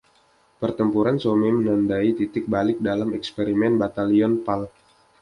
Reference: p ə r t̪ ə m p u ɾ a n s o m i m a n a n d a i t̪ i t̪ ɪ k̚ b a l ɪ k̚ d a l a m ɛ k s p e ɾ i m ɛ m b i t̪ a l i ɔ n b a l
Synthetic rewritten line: p ə r t̪ ə m p u ɾ a n s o m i m ə n a n d a i t̪ i t̪ ɪ k̚ b a l ɪ k̚ d a l a m ɛ k s p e ɾ i m ɛ n b a t̪ a l i ɔ n p a l